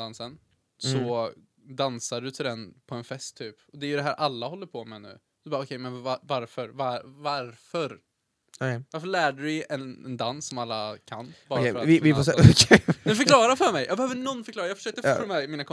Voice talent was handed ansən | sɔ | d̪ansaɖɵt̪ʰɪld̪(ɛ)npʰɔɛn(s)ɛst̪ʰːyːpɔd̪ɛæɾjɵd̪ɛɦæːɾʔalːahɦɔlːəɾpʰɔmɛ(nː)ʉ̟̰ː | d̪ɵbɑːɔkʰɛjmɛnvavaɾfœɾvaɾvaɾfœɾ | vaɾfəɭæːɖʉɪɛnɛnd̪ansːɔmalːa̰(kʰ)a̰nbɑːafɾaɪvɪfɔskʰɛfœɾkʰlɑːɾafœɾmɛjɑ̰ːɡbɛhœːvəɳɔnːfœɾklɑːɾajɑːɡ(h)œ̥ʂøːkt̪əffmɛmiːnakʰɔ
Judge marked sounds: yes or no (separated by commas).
yes, no, no, yes, no